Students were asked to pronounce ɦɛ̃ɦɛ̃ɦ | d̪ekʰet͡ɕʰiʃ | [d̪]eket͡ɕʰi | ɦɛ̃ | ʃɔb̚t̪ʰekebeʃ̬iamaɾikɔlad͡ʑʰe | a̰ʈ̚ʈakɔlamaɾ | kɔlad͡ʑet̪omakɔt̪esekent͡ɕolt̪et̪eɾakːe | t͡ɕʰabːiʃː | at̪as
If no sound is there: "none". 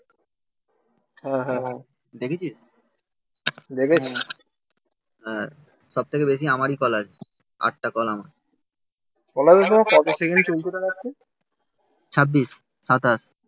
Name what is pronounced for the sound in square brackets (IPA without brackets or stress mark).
d̪